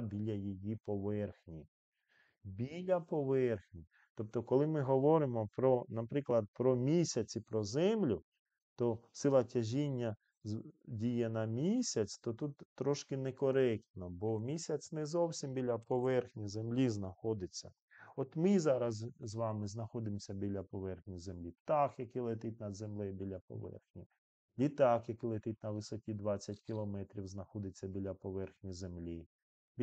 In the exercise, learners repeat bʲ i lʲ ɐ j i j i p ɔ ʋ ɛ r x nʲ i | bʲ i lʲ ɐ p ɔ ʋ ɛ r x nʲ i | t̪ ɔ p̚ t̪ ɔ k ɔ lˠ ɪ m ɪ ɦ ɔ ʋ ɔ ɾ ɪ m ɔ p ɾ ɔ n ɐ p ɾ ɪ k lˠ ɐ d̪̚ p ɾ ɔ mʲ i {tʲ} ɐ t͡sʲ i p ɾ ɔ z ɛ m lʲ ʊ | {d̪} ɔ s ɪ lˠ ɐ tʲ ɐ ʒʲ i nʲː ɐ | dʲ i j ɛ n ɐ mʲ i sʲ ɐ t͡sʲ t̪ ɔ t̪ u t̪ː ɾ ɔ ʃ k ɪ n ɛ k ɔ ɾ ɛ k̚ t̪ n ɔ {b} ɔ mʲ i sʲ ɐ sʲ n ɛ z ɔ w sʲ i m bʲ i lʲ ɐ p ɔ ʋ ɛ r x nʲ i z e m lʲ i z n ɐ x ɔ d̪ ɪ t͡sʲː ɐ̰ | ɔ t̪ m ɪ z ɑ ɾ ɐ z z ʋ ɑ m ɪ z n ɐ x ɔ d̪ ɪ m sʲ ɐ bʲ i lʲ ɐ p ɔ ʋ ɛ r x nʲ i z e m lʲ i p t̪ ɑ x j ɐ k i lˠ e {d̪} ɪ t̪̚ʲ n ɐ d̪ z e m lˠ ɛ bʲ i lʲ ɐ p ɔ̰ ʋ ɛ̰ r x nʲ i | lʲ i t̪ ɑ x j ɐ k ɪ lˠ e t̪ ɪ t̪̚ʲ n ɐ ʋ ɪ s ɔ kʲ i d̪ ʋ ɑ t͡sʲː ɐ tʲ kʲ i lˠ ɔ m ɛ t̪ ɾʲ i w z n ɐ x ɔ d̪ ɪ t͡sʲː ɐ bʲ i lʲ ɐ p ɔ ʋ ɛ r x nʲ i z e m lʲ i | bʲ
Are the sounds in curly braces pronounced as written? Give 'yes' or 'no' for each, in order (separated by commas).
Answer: no, no, yes, no